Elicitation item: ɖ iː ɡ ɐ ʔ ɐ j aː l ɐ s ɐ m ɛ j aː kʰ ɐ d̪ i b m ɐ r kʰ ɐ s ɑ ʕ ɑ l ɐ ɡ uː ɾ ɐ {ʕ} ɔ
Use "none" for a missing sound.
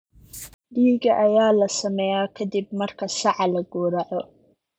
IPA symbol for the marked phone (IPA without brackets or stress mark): ʕ